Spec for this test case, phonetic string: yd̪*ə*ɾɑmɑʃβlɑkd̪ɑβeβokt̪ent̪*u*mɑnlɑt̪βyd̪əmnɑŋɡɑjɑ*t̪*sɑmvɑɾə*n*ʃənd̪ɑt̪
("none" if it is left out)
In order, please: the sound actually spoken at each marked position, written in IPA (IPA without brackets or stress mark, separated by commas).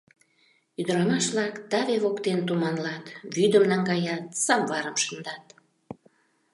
ə, u, t̪, m